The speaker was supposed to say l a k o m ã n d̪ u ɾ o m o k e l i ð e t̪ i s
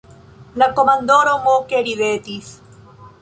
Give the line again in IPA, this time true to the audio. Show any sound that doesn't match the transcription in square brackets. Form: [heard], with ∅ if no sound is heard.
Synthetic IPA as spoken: l a k o m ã n d̪ [o] ɾ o m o k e [ɾ] i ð e t̪ i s